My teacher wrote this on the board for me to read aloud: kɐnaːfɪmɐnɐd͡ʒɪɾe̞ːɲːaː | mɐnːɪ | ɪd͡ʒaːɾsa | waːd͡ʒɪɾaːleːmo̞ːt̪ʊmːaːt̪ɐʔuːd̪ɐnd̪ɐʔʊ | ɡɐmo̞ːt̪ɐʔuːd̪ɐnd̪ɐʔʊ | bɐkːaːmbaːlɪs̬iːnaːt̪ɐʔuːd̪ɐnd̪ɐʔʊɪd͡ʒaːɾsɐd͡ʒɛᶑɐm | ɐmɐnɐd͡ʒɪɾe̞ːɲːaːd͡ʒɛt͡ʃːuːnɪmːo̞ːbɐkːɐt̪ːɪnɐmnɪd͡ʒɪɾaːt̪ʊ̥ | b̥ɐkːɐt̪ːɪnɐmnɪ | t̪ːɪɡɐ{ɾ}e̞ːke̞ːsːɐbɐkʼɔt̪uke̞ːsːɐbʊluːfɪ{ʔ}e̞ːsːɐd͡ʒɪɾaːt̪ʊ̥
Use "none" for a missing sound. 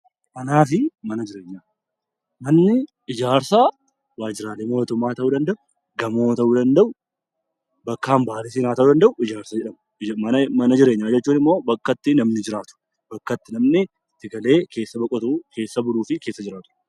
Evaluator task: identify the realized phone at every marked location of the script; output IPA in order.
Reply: l, k

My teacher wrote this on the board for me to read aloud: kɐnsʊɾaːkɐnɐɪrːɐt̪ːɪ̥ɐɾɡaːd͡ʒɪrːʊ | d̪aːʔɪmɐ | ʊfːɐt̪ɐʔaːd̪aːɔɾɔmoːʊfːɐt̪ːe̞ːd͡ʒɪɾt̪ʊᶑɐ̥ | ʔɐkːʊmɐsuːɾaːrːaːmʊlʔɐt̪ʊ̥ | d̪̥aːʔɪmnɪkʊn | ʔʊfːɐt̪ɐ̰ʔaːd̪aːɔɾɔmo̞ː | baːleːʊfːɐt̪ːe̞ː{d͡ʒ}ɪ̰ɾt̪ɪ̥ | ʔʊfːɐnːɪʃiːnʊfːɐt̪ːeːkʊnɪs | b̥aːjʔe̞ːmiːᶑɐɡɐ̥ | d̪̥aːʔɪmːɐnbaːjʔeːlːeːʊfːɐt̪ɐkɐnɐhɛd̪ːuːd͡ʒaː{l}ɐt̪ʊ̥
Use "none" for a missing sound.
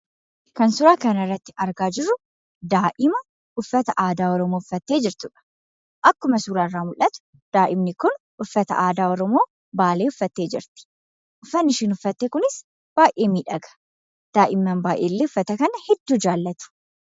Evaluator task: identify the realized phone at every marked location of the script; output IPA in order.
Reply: d͡ʒ, lː

